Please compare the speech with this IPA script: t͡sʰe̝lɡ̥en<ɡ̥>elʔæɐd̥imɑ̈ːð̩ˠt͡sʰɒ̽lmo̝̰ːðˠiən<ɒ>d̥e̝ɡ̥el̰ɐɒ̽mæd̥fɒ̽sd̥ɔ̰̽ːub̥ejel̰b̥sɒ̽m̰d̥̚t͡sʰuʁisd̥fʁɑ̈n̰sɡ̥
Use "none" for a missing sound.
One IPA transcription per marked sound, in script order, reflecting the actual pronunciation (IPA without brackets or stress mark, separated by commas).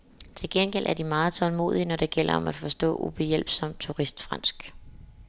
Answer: ɡ̥, ɒ